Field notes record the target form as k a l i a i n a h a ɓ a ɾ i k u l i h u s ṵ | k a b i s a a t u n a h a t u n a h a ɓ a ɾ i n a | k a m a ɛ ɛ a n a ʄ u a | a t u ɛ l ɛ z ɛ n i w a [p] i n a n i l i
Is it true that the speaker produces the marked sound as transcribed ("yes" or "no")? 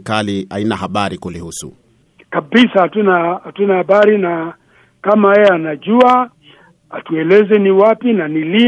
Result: yes